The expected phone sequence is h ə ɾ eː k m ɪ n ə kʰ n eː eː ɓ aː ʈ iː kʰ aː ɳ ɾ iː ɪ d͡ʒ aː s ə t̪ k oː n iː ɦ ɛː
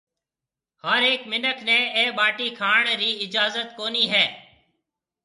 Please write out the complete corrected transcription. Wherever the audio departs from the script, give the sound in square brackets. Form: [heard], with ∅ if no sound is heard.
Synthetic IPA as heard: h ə ɾ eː k m ɪ n ə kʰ n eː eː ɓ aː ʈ iː kʰ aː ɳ ɾ iː ɪ d͡ʒ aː [z] ə t̪ k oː n iː ɦ ɛː